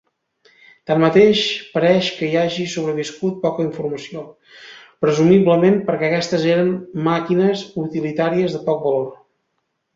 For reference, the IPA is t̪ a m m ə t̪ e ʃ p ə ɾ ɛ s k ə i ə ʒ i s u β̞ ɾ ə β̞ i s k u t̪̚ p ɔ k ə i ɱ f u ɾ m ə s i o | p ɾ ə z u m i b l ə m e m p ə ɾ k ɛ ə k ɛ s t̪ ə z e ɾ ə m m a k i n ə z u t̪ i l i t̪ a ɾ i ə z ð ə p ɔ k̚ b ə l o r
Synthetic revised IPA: t̪ a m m ə t̪ e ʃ p ə ɾ ɛ ʃ k ə i a ʒ i s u β̞ ɾ ə β̞ i s k u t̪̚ p ɔ k ə i ɱ f u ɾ m ə s i o | p ɾ ə z u m i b l ə m e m p ə ɾ k ɛ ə k ɛ s t̪ ə z e ɾ ə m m a k i n ə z u t̪ i l i t̪ a ɾ i ə z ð ə p ɔ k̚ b ə l o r